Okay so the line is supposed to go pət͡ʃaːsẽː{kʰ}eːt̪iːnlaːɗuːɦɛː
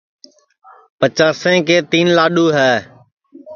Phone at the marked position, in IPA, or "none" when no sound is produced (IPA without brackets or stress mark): k